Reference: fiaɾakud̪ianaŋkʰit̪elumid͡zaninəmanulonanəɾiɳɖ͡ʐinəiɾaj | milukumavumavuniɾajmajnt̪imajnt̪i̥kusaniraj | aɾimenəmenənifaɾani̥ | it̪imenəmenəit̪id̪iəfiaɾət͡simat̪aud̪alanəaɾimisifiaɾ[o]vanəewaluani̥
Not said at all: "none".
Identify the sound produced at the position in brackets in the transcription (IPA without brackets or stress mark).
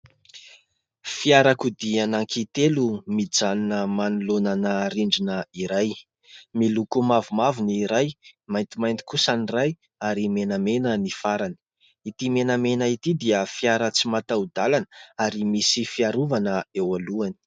u